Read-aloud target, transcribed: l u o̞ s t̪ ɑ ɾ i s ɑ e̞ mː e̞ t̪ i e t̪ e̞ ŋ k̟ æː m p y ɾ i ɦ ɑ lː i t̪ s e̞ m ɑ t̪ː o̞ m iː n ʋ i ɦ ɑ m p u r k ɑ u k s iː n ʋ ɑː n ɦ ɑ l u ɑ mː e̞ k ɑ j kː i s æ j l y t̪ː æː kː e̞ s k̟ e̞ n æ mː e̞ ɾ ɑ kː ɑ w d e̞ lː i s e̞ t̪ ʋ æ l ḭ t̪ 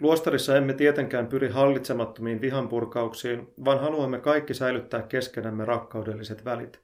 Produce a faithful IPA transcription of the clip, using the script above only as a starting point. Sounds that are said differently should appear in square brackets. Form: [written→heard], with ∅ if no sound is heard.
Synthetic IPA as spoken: l u o̞ s t̪ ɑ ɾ i [s→sː] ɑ e̞ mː e̞ t̪ i e t̪ e̞ ŋ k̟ æː m p y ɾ i ɦ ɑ lː i t̪ s e̞ m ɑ t̪ː o̞ m iː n ʋ i ɦ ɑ m p u r k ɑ u k s iː n ʋ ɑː n ɦ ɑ l u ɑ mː e̞ k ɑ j kː i s æ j l y t̪ː æː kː e̞ s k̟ e̞ n æ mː e̞ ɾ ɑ kː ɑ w d e̞ lː i s e̞ t̪ ʋ æ l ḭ t̪